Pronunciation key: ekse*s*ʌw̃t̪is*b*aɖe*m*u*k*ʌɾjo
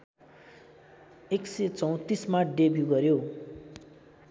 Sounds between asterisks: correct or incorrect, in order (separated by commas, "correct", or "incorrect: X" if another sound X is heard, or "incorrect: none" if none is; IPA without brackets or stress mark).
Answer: incorrect: t͡s, incorrect: m, incorrect: b, incorrect: ɡ